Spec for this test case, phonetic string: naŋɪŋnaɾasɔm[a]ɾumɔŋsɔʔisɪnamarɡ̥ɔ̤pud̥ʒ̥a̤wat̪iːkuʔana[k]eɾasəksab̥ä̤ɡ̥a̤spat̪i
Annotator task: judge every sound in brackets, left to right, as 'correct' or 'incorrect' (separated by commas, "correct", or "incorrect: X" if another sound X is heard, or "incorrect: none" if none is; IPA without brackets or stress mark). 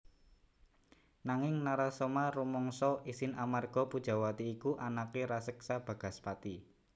correct, correct